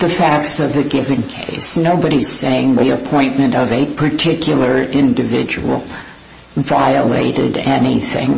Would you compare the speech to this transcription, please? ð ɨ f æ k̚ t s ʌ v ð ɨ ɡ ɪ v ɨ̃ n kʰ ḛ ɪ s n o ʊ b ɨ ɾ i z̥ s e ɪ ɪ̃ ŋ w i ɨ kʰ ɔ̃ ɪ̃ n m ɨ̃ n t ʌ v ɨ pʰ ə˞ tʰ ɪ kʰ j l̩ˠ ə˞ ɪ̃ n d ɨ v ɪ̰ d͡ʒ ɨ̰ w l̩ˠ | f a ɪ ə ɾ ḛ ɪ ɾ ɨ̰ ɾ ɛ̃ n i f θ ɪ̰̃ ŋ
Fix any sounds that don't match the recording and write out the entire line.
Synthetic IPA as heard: ð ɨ f æ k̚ t s ʌ v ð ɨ ɡ ɪ v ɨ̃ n kʰ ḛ ɪ s n o ʊ b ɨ ɾ i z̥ s e ɪ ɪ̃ ŋ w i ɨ pʰ ɔ̃ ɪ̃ n m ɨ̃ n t ʌ v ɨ pʰ ə˞ tʰ ɪ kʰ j l̩ˠ ə˞ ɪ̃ n d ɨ v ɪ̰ d͡ʒ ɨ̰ w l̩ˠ | v a ɪ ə l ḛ ɪ ɾ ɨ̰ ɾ ɛ n i θ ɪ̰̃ ŋ